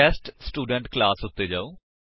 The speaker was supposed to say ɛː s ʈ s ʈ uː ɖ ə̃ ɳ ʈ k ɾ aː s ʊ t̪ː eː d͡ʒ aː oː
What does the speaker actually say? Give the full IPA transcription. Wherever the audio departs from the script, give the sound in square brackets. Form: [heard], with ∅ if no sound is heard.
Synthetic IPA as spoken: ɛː s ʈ s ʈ uː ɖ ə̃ ɳ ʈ k [l] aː s ʊ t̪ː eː d͡ʒ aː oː